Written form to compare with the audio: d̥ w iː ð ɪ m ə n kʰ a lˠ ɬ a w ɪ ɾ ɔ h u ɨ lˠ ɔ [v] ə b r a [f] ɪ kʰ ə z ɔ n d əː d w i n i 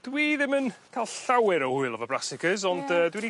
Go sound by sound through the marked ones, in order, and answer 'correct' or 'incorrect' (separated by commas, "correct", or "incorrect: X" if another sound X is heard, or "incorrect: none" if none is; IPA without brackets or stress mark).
correct, incorrect: s